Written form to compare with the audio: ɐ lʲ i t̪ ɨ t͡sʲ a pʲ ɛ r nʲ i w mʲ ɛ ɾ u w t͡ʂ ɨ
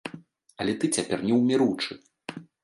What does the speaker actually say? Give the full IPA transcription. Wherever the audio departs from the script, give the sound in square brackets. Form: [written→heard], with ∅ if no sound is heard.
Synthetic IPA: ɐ lʲ [i→ɛ] t̪ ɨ t͡sʲ a pʲ ɛ r nʲ [i→ɛ] w mʲ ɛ ɾ u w t͡ʂ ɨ